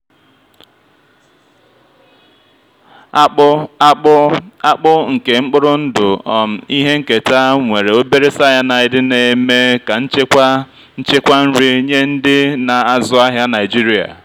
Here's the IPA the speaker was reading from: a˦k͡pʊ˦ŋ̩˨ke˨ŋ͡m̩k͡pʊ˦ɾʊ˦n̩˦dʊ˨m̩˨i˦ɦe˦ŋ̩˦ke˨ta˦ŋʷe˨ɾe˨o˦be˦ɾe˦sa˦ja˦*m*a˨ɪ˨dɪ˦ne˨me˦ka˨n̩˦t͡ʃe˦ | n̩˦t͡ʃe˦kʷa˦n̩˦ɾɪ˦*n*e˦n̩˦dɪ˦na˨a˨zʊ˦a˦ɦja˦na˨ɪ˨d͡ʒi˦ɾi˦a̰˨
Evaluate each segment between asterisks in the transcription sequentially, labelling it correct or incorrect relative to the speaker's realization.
incorrect: n, incorrect: ɲ

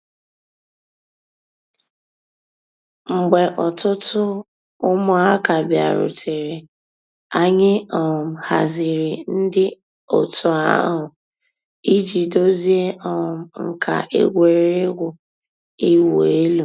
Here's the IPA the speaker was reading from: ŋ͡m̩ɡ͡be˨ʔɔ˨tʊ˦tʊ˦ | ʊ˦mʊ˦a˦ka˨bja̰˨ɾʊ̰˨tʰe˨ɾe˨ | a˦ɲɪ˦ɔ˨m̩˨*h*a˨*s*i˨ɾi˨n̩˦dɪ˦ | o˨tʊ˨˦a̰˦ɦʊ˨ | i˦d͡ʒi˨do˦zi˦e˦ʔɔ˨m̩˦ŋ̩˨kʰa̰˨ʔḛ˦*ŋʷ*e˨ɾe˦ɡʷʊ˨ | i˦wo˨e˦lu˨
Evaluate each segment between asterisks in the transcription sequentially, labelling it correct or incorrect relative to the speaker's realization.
correct, incorrect: z, incorrect: ɡʷ

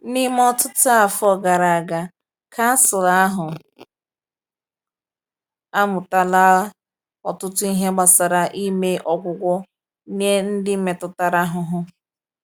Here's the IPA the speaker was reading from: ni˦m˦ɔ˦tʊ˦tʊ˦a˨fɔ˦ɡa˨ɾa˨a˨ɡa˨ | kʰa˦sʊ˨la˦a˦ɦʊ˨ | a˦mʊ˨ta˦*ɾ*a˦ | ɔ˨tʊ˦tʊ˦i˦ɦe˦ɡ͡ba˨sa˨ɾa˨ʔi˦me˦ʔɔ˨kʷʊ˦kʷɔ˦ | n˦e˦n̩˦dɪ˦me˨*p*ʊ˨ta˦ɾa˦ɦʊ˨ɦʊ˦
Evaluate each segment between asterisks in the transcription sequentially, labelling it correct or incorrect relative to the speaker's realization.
incorrect: l, incorrect: t

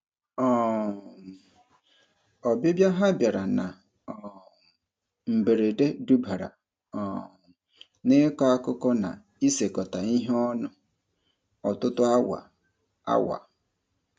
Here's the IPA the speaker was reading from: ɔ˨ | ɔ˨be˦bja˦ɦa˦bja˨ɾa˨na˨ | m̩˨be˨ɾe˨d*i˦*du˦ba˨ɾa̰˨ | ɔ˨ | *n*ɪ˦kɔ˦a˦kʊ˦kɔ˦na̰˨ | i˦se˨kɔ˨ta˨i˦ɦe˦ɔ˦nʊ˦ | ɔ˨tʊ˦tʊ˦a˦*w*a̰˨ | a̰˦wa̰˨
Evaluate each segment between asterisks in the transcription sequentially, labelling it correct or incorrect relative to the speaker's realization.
incorrect: e˦, correct, correct

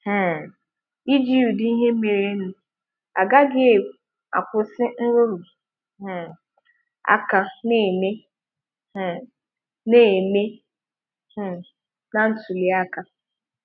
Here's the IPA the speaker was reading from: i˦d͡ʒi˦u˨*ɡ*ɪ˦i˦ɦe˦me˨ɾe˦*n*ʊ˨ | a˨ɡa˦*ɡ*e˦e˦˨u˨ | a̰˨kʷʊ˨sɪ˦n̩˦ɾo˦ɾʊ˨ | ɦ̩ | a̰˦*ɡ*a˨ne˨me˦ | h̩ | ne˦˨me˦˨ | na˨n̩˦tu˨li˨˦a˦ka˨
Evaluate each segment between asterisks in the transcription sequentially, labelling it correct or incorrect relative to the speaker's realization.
incorrect: d, correct, correct, incorrect: k

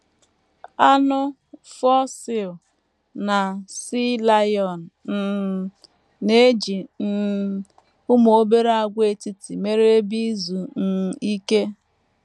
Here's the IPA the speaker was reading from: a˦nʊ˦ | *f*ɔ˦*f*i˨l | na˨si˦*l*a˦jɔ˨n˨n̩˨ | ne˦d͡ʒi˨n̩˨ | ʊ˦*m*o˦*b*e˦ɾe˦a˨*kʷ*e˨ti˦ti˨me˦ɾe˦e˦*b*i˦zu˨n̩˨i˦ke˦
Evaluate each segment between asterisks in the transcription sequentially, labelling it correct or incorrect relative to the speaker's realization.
correct, incorrect: s, correct, correct, correct, incorrect: ɡʷ, correct

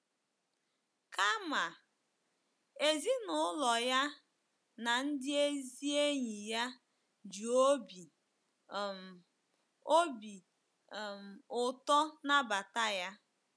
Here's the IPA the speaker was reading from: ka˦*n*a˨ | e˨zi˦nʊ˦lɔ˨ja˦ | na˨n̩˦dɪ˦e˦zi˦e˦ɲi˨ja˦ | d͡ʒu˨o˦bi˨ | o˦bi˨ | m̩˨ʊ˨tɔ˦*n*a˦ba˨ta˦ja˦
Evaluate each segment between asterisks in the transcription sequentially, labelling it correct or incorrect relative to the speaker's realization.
incorrect: m, correct

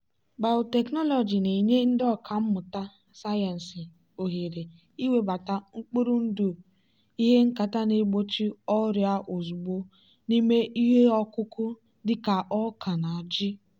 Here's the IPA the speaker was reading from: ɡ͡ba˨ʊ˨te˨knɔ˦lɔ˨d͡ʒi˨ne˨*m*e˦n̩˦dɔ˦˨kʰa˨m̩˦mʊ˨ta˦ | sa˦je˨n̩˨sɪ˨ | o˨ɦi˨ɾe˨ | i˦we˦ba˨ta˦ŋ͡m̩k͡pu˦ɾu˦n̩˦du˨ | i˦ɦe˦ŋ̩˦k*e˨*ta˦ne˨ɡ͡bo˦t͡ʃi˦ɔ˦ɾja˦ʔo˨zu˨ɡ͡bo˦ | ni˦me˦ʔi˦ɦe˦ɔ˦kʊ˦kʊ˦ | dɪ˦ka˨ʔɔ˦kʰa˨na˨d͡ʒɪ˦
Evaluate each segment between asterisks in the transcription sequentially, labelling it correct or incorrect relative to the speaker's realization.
incorrect: ɲ, incorrect: a˨

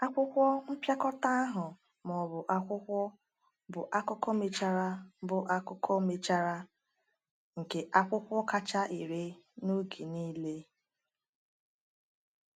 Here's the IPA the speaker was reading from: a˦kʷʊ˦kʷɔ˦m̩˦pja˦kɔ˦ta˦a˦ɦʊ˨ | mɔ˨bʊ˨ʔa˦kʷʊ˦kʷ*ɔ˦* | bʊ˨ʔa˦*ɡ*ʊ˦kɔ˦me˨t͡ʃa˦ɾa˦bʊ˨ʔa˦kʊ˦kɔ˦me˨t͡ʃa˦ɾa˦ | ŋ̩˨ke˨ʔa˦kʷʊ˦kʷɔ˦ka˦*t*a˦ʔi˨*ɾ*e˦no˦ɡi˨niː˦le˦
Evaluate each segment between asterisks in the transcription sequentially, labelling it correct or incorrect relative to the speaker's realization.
correct, incorrect: k, incorrect: t͡ʃ, correct

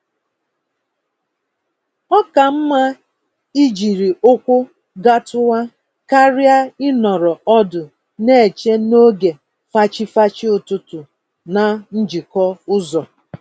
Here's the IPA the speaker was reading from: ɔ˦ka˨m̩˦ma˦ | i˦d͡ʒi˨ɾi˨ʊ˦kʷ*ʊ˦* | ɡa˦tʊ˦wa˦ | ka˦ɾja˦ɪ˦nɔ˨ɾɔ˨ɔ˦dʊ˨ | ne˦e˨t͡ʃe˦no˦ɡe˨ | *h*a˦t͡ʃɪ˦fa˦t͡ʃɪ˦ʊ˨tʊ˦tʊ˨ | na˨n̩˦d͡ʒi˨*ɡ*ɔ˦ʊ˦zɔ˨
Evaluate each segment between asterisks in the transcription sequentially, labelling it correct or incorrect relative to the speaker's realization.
correct, incorrect: f, incorrect: k

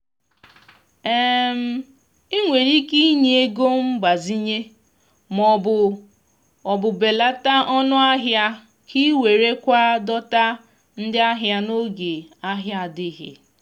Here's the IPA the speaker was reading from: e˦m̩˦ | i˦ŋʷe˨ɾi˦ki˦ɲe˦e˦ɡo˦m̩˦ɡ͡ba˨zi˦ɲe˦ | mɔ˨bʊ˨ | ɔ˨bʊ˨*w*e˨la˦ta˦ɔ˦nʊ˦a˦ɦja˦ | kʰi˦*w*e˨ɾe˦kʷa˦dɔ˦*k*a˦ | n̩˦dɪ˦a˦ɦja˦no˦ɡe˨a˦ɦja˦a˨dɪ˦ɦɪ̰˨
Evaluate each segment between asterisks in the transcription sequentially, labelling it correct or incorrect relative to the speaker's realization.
incorrect: b, correct, incorrect: t

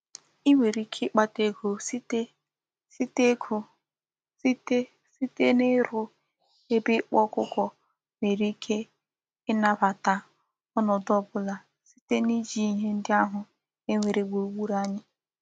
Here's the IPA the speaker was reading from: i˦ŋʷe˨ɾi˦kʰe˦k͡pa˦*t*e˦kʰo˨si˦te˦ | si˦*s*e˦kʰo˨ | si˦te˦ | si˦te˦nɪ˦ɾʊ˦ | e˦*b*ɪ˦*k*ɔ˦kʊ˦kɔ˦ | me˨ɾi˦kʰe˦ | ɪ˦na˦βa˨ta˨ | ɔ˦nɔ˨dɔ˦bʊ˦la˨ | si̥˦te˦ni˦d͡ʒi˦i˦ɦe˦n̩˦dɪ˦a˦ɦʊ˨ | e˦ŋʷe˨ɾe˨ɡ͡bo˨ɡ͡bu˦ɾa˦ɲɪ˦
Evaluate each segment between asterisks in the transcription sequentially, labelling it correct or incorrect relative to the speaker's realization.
correct, incorrect: t, correct, incorrect: k͡p

